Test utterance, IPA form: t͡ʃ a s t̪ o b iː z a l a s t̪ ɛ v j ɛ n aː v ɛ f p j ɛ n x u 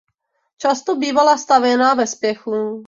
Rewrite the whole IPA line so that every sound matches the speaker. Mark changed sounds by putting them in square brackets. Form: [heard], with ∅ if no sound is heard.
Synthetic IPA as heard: t͡ʃ a s t̪ o b iː [v] a l a s t̪ [a] v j ɛ n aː v ɛ [s] p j ɛ [∅] x u

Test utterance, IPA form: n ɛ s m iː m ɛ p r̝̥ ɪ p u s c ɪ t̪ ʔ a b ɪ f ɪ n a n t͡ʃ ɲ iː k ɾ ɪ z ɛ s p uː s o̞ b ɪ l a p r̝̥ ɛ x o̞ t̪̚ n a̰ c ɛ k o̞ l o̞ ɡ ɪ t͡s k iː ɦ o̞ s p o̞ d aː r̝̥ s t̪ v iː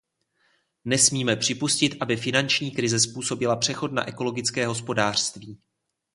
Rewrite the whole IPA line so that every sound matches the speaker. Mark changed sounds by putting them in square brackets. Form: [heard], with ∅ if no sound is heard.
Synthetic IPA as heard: n ɛ s m iː m ɛ p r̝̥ ɪ p u s c ɪ t̪ ʔ a b ɪ f ɪ n a n t͡ʃ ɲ iː k ɾ ɪ z ɛ s p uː s o̞ b ɪ l a p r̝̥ ɛ x o̞ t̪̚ n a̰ [ʔ] ɛ k o̞ l o̞ ɡ ɪ t͡s k [ɛː] ɦ o̞ s p o̞ d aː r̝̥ s t̪ v iː

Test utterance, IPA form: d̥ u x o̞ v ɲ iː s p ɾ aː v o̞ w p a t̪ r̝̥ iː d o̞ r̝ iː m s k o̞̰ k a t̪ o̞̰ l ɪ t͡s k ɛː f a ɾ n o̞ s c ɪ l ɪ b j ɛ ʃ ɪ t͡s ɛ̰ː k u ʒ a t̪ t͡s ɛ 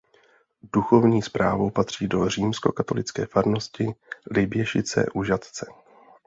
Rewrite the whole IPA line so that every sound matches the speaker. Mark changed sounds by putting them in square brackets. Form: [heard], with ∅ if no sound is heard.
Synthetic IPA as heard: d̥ u x o̞ v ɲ iː s p ɾ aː v o̞ w p a t̪ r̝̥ iː d o̞ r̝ iː m s k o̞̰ k a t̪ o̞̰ l ɪ t͡s k ɛː f a ɾ n o̞ s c ɪ l ɪ b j ɛ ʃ ɪ t͡s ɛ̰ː [ʔ] u ʒ a t̪ t͡s ɛ

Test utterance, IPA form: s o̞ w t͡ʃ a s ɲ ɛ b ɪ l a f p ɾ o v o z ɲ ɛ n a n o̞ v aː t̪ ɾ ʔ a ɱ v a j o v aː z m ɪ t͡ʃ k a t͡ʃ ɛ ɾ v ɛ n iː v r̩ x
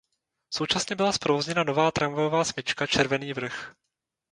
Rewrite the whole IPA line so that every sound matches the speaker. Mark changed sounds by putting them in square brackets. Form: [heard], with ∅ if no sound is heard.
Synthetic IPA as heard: s o̞ w t͡ʃ a s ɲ ɛ b ɪ l a [s] p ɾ o v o z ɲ ɛ n a n o̞ v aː t̪ ɾ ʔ a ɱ v a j o v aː [s] m ɪ t͡ʃ k a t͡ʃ ɛ ɾ v ɛ n iː v r̩ x

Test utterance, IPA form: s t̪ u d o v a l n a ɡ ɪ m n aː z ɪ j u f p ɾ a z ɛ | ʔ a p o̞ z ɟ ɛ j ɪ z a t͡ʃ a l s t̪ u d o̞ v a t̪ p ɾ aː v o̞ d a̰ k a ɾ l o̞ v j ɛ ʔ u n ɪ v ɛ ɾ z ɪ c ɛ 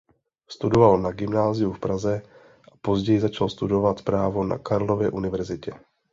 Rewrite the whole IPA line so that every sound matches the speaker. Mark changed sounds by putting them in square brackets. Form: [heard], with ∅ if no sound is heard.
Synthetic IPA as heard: s t̪ u d o v a l n a ɡ ɪ m n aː z ɪ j u f p ɾ a z ɛ | ʔ a p o̞ z ɟ ɛ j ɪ z a t͡ʃ a l s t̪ u d o̞ v a t̪ p ɾ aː v o̞ [n] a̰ k a ɾ l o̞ v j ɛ ʔ u n ɪ v ɛ ɾ z ɪ c ɛ

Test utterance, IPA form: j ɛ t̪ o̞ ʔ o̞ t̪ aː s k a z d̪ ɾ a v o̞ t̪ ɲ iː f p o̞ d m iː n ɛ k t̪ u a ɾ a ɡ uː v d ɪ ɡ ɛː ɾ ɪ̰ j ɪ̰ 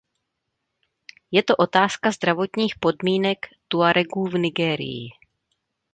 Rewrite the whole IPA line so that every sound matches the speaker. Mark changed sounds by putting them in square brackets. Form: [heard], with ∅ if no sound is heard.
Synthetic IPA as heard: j ɛ t̪ o̞ ʔ o̞ t̪ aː s k a z d̪ ɾ a v o̞ t̪ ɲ iː [x] p o̞ d m iː n ɛ k t̪ u a ɾ [ɛ] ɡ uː v [n] ɪ ɡ ɛː ɾ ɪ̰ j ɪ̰

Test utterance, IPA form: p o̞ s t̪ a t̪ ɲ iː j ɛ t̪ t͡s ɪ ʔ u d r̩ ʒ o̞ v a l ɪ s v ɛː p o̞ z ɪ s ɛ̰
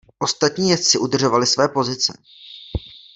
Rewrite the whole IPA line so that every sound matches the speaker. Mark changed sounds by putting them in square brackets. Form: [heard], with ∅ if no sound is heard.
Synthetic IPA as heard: [ʔ] o̞ s t̪ a t̪ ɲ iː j ɛ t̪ t͡s ɪ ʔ u d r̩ ʒ o̞ v a l ɪ s v ɛː p o̞ z ɪ [t͡s] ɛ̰

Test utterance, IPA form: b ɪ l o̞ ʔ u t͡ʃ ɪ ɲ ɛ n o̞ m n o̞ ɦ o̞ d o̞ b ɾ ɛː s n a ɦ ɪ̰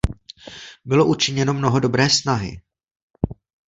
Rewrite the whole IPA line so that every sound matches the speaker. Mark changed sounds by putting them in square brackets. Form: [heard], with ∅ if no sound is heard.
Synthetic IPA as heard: b ɪ l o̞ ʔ u t͡ʃ ɪ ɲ ɛ n o̞ m n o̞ ɦ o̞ d o̞ b ɾ ɛː s n a ɦ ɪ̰

